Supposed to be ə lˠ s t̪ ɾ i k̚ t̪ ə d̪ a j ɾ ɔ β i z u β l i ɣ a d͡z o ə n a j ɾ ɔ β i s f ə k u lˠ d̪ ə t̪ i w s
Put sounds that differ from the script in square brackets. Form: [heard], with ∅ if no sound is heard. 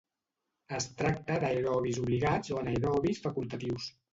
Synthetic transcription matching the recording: ə [∅] s t̪ ɾ [a] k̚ t̪ ə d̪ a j ɾ ɔ β i z u β l i ɣ a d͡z o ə n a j ɾ ɔ β i s f ə k u lˠ [t̪] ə t̪ i w s